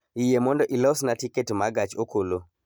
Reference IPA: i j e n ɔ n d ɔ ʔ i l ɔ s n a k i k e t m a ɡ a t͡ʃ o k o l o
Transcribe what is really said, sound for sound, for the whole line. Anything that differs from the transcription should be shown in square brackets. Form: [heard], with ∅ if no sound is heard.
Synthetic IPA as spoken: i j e [m] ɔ n d ɔ ʔ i l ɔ s n a [t] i k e t m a ɡ a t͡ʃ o k o l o

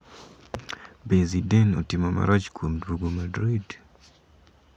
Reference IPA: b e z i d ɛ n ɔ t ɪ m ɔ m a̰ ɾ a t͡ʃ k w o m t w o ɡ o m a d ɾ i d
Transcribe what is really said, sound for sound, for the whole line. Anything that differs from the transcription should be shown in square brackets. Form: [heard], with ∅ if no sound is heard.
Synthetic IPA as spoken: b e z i d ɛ n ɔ t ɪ m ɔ m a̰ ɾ a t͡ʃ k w o m [d] w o ɡ o m a d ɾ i d

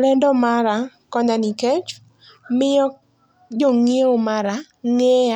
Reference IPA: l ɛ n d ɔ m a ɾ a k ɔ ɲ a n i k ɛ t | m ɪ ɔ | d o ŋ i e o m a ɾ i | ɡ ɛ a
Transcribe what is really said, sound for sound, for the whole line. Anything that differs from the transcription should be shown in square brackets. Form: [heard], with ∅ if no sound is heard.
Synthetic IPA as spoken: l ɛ n d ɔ m a ɾ a k ɔ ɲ a n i k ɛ [t͡ʃ] | m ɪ ɔ | [d͡ʒ] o ŋ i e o m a ɾ [a] | [ŋ] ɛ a

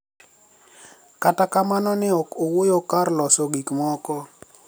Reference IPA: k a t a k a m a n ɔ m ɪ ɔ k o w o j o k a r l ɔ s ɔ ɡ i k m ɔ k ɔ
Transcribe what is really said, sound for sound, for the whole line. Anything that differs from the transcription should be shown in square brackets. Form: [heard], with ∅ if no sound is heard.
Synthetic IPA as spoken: k a t a k a m a n ɔ [n] ɪ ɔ k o w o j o k a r l ɔ s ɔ ɡ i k m ɔ k ɔ

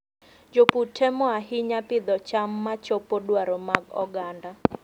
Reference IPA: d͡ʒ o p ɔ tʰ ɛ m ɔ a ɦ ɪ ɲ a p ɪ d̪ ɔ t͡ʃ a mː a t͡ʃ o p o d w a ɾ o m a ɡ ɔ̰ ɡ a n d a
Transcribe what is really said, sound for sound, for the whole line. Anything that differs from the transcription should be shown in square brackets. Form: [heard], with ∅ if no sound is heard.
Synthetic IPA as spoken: d͡ʒ o p [u] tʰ ɛ m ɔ a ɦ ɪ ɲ a p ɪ d̪ ɔ t͡ʃ a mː a t͡ʃ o p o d w a ɾ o m a ɡ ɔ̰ ɡ a n d a

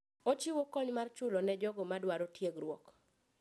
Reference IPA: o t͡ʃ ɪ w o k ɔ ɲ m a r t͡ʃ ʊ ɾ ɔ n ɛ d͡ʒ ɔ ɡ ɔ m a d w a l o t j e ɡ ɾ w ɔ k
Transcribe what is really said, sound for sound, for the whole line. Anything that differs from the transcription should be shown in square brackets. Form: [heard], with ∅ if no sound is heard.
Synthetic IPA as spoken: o t͡ʃ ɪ w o k ɔ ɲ m a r t͡ʃ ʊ [l] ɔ n ɛ d͡ʒ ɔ ɡ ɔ m a d w a [ɾ] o t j e ɡ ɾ w ɔ k

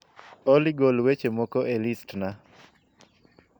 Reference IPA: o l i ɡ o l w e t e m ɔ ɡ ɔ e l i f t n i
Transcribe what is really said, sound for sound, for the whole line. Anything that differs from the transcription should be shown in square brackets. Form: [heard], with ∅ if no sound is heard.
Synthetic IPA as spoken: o l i ɡ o l w e [t͡ʃ] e m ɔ [k] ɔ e l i [s] t n [a]

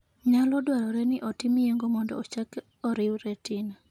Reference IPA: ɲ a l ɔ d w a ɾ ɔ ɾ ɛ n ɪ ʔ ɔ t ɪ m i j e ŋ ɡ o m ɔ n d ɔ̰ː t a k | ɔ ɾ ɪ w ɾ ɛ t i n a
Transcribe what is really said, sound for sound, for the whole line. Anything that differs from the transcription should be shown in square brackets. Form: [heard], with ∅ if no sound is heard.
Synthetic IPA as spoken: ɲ a l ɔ d w a ɾ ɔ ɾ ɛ n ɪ ʔ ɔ t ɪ m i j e ŋ ɡ o m ɔ n d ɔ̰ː [t͡ʃ] a k | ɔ ɾ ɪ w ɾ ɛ t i n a

